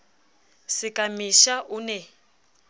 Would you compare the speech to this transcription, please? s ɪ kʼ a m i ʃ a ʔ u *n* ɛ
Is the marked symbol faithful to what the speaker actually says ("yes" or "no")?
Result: yes